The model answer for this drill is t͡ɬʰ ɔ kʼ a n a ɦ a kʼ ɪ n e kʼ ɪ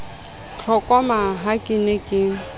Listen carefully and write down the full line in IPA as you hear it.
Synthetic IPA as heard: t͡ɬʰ ɔ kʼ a m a ɦ a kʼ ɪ n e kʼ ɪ